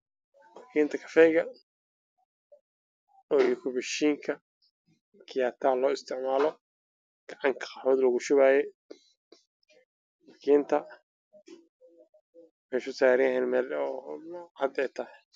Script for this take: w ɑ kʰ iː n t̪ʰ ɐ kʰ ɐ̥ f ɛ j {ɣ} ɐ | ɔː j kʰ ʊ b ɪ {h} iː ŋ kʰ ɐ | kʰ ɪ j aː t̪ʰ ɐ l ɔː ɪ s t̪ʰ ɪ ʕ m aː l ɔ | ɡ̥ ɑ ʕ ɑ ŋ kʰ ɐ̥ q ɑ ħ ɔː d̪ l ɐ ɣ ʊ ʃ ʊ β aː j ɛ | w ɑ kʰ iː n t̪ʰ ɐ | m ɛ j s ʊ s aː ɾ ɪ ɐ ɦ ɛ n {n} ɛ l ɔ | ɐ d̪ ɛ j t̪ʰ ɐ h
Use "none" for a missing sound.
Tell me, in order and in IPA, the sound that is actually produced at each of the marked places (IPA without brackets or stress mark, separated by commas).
ɣ, ʃ, m